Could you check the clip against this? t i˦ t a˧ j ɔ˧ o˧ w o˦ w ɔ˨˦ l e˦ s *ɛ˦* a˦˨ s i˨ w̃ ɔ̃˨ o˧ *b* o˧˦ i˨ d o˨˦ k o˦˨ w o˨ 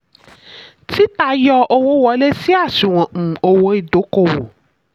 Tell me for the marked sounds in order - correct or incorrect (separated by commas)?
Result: incorrect, incorrect